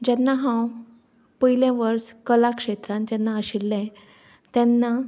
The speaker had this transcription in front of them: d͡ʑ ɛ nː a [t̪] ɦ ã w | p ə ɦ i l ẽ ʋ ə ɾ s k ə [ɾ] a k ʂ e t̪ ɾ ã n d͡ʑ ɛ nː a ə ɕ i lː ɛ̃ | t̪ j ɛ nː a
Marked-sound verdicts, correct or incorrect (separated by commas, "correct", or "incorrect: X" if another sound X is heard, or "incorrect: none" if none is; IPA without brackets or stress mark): incorrect: none, incorrect: l